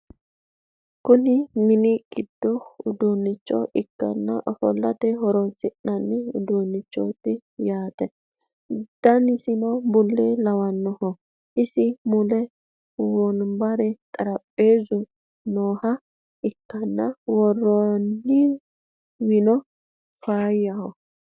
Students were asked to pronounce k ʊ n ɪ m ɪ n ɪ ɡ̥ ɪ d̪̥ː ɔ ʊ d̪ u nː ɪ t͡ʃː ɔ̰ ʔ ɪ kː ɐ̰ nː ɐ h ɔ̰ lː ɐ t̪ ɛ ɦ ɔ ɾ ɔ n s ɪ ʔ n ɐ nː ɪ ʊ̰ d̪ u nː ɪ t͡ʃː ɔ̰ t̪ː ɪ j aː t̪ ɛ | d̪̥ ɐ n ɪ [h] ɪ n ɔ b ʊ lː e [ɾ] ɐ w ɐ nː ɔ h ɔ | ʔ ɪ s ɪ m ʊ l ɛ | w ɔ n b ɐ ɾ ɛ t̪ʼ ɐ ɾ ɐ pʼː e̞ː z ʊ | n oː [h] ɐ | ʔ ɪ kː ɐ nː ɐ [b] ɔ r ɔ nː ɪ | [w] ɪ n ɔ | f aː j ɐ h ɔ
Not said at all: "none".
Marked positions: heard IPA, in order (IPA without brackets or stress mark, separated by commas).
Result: s, l, h, w, w